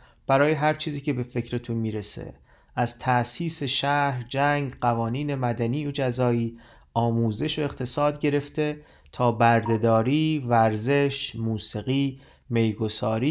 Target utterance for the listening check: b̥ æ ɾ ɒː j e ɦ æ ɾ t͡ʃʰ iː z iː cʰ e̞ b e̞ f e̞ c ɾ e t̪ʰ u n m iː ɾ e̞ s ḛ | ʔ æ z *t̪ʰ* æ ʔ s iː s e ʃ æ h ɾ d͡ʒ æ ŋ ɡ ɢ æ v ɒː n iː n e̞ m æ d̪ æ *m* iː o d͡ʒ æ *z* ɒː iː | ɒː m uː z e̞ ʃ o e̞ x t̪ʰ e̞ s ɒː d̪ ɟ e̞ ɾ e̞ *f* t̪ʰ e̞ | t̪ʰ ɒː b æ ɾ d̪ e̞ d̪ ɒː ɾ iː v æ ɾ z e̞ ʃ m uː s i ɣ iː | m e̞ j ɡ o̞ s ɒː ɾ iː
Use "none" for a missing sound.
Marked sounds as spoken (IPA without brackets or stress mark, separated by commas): t̪ʰ, n, z, f